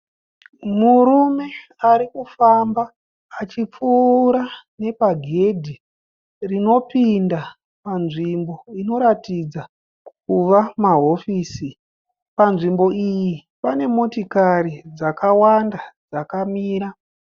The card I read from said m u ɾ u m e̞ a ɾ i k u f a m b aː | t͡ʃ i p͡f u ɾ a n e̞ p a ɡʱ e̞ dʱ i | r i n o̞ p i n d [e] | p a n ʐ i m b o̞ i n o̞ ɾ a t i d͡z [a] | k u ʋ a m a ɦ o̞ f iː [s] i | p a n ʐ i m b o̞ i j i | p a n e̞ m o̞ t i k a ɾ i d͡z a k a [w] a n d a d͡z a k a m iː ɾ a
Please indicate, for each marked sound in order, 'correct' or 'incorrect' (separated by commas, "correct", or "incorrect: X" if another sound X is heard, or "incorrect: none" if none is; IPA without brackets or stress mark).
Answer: incorrect: a, correct, correct, correct